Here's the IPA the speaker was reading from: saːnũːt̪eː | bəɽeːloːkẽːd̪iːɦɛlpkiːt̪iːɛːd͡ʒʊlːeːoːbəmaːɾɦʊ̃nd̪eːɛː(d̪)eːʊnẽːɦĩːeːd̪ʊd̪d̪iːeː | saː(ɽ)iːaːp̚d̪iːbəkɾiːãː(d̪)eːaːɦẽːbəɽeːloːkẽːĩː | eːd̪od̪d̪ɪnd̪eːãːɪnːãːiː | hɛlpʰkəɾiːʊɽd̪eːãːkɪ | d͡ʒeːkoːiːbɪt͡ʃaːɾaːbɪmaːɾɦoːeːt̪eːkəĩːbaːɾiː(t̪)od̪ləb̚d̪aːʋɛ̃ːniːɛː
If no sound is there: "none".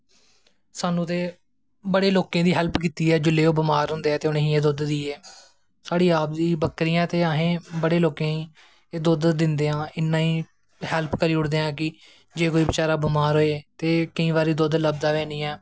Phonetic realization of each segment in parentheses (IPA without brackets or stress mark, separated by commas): t̪, ɽ, t̪, d̪